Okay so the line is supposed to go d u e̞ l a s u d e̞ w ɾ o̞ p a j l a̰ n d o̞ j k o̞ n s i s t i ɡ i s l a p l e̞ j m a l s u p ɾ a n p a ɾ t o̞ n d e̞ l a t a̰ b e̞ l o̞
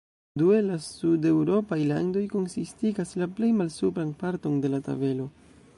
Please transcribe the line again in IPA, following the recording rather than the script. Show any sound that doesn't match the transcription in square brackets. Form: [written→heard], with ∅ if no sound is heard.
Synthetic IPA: d u e̞ l a s u d e̞ w ɾ o̞ p a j l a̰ n d o̞ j k o̞ n s i s t i ɡ [i→a] s l a p l e̞ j m a l s u p ɾ a n p a ɾ t o̞ n d e̞ l a t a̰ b e̞ l o̞